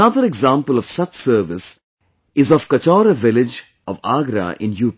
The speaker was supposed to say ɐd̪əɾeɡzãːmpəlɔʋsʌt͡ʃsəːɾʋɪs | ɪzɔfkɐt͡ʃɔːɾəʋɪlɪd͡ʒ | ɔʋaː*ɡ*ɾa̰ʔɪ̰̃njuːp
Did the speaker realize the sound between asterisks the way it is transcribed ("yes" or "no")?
yes